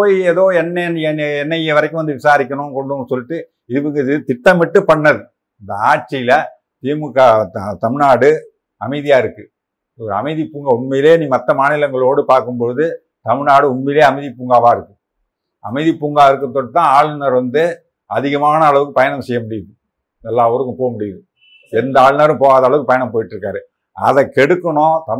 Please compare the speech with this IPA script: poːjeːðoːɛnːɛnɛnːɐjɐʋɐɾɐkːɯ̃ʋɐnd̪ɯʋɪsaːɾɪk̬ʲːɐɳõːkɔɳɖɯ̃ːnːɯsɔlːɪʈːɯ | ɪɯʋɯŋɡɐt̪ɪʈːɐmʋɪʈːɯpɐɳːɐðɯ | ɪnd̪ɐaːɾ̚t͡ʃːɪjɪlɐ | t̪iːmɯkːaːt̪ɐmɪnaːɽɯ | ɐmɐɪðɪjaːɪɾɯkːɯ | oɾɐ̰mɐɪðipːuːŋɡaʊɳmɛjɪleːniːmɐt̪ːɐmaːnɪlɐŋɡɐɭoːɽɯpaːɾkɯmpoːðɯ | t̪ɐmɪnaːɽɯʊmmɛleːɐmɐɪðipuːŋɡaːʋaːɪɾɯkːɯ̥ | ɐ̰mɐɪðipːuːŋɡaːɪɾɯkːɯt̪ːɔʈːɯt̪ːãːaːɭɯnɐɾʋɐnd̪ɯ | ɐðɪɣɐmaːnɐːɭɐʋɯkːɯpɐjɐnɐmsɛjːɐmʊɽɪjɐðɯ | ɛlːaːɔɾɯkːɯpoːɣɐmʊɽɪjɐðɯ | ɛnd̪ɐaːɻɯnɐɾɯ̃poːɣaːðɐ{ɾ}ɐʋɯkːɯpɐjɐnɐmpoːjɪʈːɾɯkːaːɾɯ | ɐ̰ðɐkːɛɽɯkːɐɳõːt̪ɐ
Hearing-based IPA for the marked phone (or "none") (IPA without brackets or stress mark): ɭ